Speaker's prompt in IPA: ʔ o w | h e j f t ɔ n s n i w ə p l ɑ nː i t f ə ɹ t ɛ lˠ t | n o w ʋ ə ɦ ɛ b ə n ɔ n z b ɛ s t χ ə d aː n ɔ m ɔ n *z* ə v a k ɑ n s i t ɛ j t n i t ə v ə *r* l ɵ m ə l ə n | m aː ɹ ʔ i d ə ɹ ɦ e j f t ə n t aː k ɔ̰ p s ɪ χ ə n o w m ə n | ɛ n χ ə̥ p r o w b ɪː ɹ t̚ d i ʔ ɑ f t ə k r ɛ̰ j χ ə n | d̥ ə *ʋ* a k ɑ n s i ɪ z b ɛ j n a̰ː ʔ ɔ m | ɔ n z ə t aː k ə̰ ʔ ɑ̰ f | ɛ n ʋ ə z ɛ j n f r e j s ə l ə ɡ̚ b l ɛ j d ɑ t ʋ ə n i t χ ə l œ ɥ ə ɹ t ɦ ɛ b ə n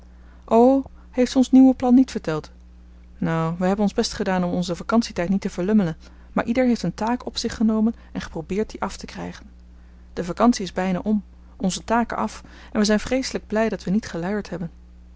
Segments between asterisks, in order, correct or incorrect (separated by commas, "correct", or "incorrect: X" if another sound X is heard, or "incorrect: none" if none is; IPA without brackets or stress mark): correct, incorrect: ɹ, incorrect: v